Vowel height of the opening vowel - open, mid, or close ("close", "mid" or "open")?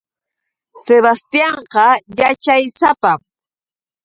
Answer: mid